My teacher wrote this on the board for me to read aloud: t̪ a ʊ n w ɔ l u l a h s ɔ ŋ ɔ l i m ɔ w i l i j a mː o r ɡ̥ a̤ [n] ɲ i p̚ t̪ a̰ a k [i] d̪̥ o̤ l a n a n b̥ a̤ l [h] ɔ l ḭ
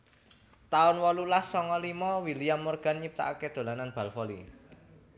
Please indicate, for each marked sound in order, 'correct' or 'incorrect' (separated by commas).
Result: correct, incorrect, incorrect